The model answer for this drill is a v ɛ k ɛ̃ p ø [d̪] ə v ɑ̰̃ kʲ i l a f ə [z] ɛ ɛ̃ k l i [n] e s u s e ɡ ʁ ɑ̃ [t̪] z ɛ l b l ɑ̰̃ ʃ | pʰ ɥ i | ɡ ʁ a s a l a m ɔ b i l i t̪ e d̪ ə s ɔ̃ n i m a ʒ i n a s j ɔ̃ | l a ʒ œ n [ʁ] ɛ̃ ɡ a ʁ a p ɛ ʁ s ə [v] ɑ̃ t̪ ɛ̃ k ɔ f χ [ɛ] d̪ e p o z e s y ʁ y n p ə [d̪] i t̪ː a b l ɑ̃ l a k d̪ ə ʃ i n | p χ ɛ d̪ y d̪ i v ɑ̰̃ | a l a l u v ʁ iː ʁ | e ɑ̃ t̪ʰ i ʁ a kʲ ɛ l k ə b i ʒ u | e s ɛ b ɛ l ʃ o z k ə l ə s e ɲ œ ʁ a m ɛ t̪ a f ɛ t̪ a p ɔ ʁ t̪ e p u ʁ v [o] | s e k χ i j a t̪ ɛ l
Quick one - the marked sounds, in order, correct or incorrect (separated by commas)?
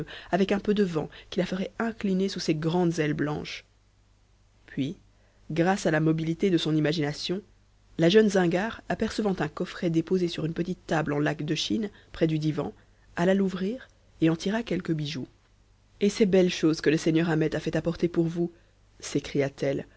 correct, incorrect, correct, incorrect, incorrect, correct, correct, incorrect, incorrect